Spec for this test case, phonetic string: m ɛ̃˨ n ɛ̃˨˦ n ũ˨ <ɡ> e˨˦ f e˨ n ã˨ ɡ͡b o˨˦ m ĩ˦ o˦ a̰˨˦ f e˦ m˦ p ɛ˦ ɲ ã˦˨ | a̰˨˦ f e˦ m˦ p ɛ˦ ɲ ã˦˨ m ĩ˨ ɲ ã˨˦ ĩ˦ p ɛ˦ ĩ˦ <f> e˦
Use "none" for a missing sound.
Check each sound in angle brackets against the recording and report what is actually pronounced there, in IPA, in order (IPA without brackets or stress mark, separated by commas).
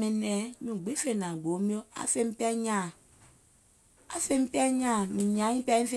ɡ͡b, f